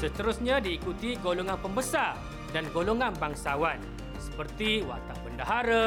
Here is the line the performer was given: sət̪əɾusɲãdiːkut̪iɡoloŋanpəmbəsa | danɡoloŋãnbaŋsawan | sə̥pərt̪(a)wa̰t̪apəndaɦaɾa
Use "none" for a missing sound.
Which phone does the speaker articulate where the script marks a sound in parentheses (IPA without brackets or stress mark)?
i